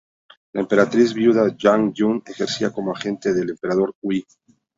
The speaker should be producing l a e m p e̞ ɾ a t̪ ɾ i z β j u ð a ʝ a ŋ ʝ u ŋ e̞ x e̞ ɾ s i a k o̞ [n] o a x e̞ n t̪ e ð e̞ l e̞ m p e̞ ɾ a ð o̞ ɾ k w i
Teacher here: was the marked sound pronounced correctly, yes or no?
no